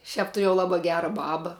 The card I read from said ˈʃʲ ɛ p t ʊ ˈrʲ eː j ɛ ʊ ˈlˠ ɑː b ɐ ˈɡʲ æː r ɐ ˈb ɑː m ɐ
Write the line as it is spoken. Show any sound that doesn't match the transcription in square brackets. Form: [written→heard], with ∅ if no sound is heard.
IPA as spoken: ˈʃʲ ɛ p t ʊ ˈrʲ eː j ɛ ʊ ˈlˠ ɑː b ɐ ˈɡʲ æː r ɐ ˈb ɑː [m→b] ɐ